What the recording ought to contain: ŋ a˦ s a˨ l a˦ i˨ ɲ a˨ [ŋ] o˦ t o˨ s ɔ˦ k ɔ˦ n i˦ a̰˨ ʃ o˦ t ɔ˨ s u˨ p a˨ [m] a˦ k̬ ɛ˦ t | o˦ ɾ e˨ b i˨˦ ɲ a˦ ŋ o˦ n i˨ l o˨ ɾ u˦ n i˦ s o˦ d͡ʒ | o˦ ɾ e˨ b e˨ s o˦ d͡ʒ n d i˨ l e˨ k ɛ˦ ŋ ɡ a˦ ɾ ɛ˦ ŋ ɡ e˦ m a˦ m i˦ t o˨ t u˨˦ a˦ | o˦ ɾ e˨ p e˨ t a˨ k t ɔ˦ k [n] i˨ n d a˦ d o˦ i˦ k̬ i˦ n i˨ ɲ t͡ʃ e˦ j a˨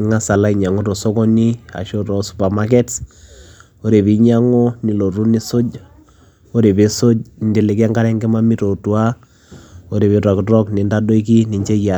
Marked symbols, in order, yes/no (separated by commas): yes, yes, yes